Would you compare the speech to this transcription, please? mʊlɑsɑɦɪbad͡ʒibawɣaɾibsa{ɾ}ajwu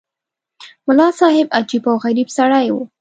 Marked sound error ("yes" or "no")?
yes